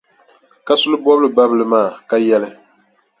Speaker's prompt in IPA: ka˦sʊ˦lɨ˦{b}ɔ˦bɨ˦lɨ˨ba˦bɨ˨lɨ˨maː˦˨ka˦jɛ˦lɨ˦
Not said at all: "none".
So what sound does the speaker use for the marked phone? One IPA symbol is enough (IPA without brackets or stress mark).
b